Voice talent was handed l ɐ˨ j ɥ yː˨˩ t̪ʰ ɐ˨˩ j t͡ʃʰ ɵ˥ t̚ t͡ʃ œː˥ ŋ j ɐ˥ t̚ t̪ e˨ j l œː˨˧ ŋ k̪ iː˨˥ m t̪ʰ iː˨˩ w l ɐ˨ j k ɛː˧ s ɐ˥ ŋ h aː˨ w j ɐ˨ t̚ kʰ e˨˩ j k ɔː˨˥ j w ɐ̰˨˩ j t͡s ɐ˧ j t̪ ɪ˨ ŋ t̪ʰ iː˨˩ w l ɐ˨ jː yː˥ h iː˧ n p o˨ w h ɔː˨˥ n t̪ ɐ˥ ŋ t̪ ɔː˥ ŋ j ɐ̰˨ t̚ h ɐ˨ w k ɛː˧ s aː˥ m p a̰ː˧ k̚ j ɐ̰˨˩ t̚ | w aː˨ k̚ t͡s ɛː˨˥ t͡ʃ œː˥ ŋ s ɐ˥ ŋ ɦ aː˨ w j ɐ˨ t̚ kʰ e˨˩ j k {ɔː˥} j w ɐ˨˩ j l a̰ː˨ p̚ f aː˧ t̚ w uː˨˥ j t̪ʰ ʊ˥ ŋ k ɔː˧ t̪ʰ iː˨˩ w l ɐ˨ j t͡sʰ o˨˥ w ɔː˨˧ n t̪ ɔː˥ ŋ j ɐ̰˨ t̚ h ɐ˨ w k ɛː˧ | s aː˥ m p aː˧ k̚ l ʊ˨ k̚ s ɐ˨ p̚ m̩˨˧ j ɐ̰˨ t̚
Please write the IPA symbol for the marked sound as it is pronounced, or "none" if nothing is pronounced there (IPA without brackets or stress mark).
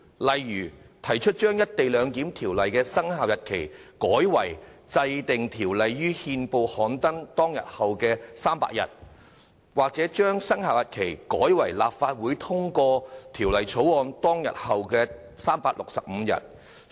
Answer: ɔː˨˥